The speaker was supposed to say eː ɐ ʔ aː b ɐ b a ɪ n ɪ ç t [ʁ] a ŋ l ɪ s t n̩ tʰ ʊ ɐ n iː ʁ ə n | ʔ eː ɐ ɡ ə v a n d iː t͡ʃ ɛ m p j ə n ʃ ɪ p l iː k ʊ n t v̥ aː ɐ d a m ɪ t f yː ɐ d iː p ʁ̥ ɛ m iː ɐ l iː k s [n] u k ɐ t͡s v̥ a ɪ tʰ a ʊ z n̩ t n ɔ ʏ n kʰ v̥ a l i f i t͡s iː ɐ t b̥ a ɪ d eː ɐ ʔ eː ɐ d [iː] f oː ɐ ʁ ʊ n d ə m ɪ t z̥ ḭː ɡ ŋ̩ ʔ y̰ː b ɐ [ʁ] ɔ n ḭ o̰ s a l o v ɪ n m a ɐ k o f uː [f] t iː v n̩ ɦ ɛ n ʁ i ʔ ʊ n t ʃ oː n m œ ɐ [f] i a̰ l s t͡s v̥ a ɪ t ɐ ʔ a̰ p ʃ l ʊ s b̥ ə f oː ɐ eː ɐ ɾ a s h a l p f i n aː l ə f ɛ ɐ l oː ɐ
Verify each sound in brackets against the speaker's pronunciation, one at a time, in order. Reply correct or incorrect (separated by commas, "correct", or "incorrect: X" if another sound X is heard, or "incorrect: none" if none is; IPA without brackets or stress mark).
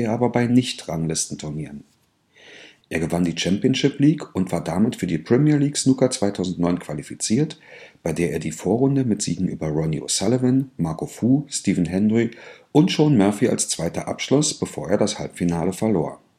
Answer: correct, correct, correct, correct, incorrect: s, correct